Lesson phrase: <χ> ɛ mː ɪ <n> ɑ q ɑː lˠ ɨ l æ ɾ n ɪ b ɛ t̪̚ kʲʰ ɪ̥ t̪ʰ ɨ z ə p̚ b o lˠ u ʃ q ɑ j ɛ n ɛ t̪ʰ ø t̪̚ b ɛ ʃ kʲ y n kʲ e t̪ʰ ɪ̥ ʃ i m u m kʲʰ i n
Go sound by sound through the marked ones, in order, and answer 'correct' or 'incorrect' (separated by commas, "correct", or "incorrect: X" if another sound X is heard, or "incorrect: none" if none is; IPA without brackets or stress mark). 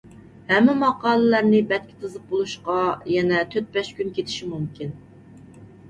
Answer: incorrect: h, incorrect: m